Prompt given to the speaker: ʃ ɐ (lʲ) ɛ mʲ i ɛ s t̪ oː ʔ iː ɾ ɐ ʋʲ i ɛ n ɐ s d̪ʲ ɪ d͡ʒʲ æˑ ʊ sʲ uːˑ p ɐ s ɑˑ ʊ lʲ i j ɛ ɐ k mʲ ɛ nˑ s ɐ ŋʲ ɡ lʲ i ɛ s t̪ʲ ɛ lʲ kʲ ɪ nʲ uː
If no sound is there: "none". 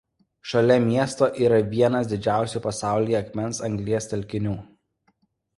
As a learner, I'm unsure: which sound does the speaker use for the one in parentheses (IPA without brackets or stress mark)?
lʲ